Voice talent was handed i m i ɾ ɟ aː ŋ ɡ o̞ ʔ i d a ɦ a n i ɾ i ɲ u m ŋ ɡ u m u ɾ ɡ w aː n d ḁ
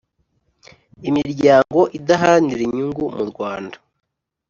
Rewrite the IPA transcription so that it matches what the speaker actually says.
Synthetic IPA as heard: i m i ɾ ɟ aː ŋ ɡ o̞ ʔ i d a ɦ a n i ɾ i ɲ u ŋ ɡ u m u ɾ ɡ w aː n d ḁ